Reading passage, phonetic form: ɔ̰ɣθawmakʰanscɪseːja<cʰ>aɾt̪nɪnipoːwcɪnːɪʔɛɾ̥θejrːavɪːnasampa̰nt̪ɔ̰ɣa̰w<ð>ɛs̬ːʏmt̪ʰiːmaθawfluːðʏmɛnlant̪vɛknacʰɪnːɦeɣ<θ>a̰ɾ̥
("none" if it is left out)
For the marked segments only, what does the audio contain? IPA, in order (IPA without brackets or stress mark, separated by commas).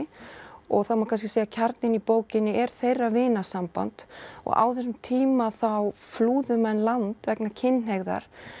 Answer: cʰ, θ, ð